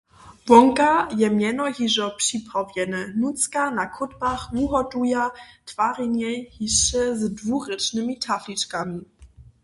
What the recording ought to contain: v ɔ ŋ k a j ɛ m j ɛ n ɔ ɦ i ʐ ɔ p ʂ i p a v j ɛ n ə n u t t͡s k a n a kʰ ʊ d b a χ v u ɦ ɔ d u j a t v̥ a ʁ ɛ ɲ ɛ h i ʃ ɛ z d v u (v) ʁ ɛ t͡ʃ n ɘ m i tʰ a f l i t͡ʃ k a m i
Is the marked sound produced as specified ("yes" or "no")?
no